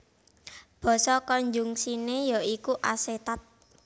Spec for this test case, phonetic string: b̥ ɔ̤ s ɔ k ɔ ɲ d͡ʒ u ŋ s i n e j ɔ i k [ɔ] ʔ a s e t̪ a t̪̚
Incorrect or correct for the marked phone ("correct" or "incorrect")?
incorrect